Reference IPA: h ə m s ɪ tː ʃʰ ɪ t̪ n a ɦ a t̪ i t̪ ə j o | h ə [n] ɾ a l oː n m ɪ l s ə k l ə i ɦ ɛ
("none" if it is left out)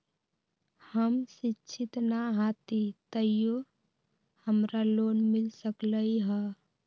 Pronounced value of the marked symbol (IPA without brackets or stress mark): m